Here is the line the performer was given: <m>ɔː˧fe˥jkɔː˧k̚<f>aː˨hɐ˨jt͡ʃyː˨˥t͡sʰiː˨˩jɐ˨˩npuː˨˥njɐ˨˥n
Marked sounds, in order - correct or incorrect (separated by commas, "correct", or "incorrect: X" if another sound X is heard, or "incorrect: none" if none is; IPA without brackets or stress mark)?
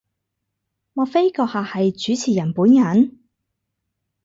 correct, incorrect: h